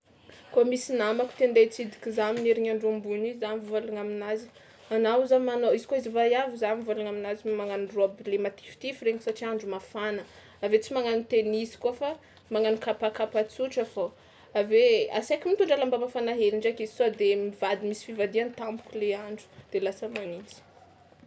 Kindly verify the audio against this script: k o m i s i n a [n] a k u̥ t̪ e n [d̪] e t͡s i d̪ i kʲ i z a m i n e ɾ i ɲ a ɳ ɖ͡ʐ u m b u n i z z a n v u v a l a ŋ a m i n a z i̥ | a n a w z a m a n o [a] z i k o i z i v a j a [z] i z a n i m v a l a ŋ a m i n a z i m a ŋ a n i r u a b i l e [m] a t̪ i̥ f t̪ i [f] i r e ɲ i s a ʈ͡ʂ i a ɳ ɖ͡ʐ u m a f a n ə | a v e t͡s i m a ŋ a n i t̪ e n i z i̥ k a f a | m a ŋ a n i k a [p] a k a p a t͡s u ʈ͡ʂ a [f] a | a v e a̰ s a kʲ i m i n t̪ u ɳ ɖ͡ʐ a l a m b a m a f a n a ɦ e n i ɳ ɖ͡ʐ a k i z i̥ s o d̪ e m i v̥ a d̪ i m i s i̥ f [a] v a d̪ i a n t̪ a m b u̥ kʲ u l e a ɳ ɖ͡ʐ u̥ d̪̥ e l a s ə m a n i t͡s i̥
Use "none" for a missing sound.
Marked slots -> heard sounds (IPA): m, d̪, i, v, m, f, p, f, i

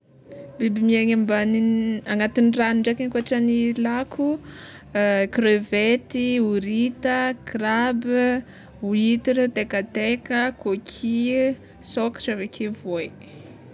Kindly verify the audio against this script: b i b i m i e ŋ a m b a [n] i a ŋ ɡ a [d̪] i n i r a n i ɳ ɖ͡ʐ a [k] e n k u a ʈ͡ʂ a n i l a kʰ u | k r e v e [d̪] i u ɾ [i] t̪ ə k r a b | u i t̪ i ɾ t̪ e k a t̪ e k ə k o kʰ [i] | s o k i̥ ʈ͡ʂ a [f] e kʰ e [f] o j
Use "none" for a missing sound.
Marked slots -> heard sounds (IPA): n, t̪, k, t̪, i, i, v, v

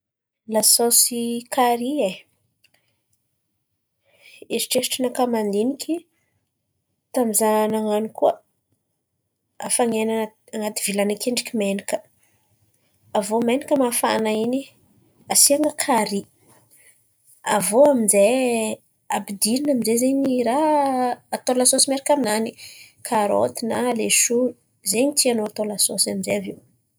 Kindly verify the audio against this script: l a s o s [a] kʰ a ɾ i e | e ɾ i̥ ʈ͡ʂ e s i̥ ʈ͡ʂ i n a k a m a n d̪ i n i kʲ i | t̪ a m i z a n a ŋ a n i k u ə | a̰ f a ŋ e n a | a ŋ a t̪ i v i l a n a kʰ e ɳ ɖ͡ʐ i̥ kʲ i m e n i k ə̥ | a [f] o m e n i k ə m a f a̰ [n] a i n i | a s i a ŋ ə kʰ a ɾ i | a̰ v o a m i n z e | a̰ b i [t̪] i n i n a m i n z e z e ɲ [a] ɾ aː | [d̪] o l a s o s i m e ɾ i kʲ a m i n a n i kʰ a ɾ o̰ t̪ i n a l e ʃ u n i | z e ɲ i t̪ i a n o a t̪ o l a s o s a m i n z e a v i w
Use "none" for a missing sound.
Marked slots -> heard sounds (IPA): i, v, n, d̪, i, t̪

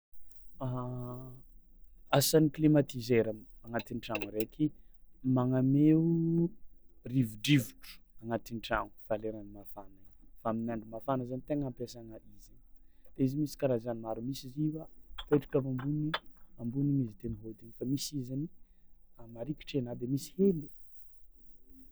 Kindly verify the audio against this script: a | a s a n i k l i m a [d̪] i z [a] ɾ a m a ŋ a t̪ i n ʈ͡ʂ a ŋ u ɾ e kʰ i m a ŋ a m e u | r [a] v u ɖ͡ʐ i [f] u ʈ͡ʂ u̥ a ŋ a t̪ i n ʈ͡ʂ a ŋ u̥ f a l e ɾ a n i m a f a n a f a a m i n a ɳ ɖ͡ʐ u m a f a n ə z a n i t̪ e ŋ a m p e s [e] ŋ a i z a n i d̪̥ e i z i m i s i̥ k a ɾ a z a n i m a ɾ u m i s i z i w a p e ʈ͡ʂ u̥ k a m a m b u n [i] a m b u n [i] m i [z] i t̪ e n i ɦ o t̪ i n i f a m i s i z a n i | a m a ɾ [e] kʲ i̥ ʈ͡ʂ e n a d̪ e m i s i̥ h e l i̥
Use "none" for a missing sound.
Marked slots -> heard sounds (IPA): t̪, e, i, v, a, i, i, z, i

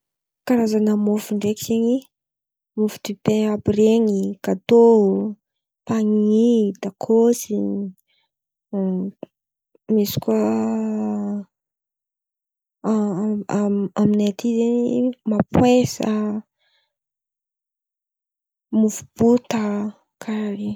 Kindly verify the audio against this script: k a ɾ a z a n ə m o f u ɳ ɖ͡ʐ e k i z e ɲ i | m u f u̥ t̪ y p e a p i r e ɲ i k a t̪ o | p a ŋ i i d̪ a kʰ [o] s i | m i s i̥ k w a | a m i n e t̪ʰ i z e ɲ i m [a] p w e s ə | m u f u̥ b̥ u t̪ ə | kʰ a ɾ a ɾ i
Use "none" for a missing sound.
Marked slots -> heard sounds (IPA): o, a

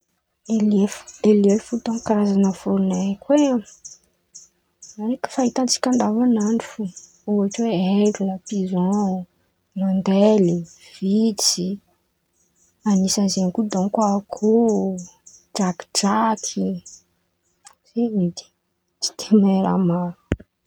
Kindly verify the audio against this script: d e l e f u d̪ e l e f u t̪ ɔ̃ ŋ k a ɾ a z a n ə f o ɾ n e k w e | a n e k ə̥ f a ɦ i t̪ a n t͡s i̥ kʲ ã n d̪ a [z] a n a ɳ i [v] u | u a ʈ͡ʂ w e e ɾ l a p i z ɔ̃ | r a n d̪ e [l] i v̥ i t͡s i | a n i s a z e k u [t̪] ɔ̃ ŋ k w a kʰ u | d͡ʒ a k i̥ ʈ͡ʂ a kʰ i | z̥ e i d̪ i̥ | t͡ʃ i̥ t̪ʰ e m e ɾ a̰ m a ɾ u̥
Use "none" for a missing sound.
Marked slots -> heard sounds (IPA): v, f, l, d̪

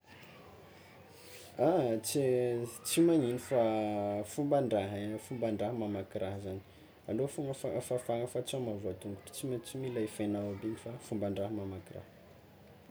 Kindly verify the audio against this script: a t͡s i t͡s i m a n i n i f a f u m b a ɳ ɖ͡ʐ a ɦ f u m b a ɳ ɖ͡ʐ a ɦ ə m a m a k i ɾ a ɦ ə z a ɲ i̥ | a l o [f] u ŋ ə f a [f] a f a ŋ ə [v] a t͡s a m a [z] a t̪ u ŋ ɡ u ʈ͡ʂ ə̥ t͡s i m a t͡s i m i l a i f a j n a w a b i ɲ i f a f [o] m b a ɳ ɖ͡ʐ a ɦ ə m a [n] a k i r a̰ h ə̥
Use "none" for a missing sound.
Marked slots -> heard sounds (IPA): f, f, f, v, u, m

